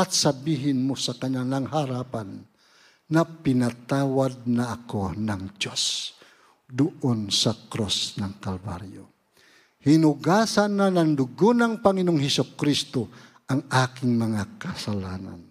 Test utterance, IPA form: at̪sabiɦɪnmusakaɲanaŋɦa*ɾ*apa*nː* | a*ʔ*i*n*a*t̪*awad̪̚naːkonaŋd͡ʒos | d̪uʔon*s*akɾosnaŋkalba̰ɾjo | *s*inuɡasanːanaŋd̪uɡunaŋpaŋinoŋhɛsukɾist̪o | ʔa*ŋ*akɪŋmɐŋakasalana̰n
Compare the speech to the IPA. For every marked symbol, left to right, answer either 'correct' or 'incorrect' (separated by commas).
correct, correct, incorrect, correct, correct, correct, incorrect, correct